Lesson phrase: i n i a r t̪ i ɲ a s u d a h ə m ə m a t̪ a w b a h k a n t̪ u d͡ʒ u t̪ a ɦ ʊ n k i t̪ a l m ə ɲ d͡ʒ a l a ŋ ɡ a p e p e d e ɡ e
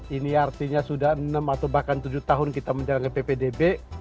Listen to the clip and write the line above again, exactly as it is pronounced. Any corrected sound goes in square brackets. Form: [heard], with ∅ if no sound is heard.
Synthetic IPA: i n i a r t̪ i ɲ a s u d a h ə [n] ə m a t̪ a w b a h k a n t̪ u d͡ʒ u t̪ a ɦ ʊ n k i t̪ a [∅] m ə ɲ d͡ʒ a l a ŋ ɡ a p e p e d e [b] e